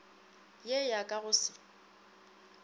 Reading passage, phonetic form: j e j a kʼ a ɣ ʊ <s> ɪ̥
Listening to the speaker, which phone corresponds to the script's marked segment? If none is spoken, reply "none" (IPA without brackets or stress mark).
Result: s